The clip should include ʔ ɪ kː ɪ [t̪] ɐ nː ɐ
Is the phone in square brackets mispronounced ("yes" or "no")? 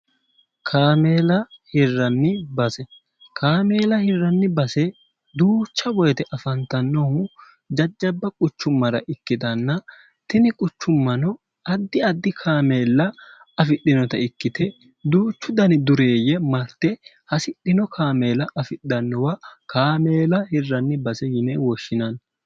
yes